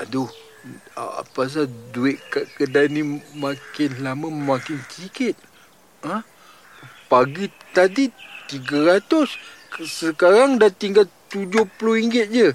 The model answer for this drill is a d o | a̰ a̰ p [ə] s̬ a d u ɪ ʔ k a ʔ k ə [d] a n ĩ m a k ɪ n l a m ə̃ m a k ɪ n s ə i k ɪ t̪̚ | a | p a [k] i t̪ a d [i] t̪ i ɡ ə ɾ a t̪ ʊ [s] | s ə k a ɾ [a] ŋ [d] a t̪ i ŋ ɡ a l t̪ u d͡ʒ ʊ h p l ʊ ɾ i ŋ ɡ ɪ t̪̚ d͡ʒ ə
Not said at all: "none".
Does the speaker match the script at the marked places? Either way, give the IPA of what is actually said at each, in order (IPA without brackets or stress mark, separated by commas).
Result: a, d, ɡ, i, s, a, d